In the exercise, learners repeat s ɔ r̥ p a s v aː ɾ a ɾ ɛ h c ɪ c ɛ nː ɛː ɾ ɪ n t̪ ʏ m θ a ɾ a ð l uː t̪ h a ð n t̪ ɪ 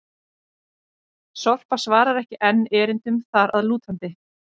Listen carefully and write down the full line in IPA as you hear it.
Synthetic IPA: s ɔ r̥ p a s v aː ɾ a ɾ ɛ h c ɪ ʔ ɛ nː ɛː ɾ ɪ n t̪ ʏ m θ a ɾ a ð l uː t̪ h a n t̪ ɪ